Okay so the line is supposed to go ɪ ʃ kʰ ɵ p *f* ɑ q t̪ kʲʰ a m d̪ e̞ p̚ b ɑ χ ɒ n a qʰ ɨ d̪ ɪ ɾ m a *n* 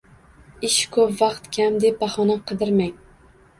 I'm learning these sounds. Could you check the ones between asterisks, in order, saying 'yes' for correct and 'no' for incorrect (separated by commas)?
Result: no, no